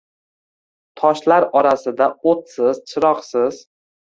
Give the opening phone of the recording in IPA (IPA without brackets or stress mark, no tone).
t̪ʰ